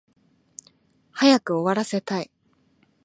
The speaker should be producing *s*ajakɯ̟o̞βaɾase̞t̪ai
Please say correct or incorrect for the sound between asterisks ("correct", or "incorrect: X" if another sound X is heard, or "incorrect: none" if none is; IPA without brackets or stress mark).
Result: incorrect: h